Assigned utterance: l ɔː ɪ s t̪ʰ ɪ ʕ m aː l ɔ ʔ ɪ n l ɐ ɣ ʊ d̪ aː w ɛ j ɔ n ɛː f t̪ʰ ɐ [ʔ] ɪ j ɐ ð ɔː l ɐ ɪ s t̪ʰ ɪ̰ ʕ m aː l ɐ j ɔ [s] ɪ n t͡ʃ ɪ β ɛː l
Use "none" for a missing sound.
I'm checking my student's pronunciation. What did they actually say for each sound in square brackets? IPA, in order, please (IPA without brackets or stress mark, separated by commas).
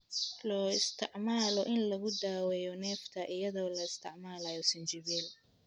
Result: ʔ, s